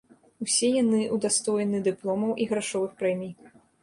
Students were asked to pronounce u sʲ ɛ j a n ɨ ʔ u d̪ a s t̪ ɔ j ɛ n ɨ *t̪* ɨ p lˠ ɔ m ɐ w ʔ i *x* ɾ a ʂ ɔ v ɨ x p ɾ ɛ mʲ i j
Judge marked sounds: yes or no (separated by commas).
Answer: no, no